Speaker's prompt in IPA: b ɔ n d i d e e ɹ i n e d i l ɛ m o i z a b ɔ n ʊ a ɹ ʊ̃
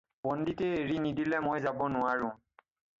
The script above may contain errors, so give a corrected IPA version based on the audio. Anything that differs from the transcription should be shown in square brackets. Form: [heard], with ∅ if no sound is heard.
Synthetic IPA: b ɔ n d i [t] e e ɹ i n [i] d i l ɛ m o [j] z a b ɔ n ʊ a ɹ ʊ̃